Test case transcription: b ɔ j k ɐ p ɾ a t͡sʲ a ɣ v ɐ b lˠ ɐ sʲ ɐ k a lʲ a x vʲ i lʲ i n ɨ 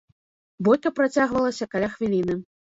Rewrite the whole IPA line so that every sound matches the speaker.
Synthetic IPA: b ɔ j k ɐ p ɾ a t͡sʲ a ɣ v ɐ lˠ ɐ sʲ ɐ k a lʲ a x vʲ i lʲ i n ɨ